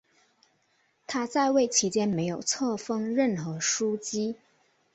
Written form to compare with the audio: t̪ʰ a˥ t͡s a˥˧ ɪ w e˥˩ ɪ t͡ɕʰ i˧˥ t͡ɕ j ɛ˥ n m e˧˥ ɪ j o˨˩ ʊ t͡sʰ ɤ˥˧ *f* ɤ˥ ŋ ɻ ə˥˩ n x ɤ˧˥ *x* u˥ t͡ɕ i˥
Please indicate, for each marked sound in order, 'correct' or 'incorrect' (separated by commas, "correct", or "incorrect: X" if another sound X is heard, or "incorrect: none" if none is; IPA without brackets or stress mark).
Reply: correct, incorrect: ʂ